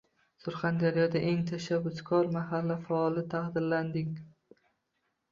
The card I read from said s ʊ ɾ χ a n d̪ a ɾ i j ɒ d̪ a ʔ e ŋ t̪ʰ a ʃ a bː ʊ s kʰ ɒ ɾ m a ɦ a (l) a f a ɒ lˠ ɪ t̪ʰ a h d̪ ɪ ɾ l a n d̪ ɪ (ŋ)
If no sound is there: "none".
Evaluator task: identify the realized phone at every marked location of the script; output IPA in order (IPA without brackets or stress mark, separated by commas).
lː, ŋ